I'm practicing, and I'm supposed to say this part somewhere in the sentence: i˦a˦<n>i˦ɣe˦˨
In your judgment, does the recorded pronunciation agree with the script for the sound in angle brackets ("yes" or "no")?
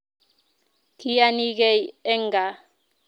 yes